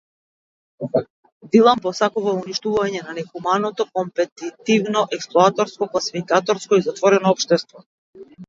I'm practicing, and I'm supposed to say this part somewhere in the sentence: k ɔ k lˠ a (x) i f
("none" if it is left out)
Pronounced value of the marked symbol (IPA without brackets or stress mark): s